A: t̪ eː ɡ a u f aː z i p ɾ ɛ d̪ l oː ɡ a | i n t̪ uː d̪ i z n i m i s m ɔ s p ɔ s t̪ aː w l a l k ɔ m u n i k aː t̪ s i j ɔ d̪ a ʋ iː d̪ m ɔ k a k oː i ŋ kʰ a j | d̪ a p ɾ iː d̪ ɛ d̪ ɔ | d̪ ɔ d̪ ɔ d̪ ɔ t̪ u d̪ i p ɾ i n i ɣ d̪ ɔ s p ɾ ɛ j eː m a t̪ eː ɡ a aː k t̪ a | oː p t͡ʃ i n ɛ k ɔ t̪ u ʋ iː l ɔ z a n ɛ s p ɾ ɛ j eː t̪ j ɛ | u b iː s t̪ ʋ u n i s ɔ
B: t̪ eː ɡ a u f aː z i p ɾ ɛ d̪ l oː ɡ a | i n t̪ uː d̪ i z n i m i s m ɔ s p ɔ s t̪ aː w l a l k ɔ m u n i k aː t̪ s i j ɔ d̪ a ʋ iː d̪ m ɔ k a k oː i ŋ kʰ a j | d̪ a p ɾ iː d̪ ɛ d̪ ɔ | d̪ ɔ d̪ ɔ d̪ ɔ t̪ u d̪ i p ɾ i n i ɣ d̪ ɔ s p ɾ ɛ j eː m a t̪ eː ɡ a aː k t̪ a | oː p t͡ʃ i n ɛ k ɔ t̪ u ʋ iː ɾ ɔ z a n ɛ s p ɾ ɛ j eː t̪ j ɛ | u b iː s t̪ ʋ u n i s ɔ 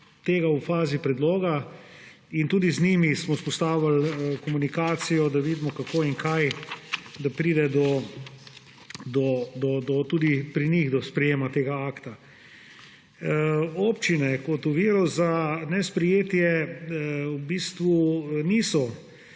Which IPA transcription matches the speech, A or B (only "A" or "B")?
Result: B